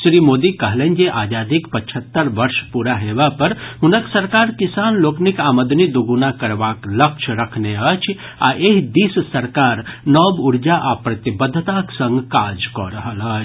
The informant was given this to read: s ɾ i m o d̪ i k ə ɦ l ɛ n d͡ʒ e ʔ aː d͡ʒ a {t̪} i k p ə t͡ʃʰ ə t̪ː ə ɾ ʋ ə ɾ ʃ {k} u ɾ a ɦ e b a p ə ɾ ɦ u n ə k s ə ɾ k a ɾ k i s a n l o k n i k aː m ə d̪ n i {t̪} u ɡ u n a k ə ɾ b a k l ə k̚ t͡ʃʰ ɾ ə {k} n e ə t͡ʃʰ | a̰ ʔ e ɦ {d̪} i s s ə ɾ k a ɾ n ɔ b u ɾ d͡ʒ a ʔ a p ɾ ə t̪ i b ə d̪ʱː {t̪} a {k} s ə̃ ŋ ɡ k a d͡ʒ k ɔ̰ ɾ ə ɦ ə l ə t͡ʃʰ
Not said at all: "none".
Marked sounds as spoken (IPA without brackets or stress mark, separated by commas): d̪, p, d̪, kʰ, d̪, t̪, k